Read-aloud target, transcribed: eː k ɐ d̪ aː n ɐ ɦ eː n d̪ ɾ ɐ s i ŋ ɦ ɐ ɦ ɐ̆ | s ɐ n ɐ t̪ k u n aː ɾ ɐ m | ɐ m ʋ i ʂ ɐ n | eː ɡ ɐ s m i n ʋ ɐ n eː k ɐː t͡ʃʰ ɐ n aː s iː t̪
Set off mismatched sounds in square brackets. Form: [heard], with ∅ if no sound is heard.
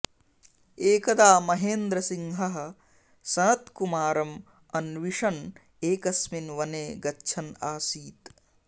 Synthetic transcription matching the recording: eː k ɐ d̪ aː [m] ɐ ɦ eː n d̪ ɾ ɐ s i ŋ ɦ ɐ ɦ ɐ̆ | s ɐ n ɐ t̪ k u [m] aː ɾ ɐ m | ɐ [n] ʋ i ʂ ɐ n | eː [k] ɐ s m i n ʋ ɐ n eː [ɡ] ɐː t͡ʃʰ ɐ n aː s iː t̪